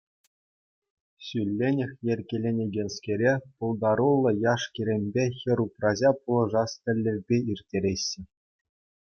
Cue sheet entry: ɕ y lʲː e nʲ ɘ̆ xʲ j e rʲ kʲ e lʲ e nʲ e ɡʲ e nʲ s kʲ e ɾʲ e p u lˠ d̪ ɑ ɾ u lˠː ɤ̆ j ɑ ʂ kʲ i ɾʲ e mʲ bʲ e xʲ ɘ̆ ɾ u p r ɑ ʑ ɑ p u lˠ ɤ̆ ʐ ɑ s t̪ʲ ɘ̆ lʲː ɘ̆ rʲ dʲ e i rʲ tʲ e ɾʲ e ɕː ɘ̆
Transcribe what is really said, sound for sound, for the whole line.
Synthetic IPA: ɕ y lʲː e nʲ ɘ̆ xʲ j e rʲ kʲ e lʲ e nʲ e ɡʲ e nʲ s kʲ e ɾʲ e p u lˠ d̪ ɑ ɾ u lˠː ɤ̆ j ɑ ʂ kʲ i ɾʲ e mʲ bʲ e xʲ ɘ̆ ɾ u p r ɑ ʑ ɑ p u lˠ ɤ̆ ʐ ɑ s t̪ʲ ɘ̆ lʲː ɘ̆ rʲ bʲ e i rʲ tʲ e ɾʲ e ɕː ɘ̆